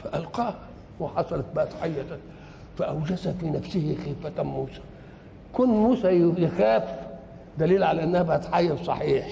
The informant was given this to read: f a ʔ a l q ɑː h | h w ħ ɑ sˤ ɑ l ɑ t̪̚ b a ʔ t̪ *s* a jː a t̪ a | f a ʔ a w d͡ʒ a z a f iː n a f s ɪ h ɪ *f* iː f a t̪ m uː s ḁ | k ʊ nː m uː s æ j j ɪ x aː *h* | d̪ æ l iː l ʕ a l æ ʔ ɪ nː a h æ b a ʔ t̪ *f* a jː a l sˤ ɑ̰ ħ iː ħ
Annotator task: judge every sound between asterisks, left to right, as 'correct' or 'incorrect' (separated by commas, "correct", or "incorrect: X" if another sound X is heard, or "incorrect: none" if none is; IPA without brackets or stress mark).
incorrect: ħ, incorrect: x, incorrect: f, incorrect: ħ